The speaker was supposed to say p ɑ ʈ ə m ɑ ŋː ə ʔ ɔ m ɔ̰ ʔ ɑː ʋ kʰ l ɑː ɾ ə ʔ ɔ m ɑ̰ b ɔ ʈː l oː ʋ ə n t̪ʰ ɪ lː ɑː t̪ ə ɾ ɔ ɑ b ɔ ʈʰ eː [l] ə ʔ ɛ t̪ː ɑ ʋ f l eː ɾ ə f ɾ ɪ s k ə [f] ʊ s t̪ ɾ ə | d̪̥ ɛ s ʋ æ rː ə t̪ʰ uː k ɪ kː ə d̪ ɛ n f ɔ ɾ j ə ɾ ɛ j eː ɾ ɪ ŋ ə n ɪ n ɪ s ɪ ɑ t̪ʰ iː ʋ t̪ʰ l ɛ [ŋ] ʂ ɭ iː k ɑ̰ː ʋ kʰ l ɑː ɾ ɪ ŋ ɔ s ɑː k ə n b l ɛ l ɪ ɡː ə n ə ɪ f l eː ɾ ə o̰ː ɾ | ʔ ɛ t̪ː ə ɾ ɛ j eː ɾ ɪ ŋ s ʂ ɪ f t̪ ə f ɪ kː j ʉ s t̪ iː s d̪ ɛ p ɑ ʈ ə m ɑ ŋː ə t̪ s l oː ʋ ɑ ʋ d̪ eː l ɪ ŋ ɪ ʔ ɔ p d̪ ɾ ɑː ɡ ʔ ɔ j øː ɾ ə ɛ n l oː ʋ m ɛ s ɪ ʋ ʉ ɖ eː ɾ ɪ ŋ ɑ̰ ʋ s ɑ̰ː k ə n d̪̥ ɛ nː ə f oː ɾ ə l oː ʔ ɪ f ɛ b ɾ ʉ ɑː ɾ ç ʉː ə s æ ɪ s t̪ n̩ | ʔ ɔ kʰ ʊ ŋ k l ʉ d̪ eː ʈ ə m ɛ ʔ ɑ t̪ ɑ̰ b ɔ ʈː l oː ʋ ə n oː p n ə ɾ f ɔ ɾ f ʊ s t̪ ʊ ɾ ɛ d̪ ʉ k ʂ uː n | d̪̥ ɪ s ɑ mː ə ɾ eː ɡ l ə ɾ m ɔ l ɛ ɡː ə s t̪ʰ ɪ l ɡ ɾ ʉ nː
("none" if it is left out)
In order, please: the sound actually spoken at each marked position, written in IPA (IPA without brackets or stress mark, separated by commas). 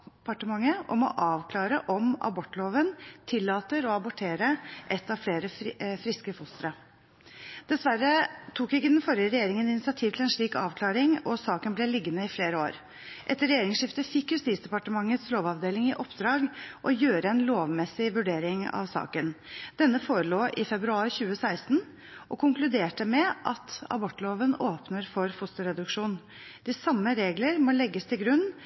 ɾ, f, n